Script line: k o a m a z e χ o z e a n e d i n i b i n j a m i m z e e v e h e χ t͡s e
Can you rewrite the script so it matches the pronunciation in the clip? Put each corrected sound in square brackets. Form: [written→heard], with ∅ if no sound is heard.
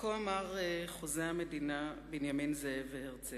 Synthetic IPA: k o a m a [z→ʁ] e χ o z e a [n→m] e d i n [i→a] b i n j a m i [m→n] z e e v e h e [χ→ʁ] t͡s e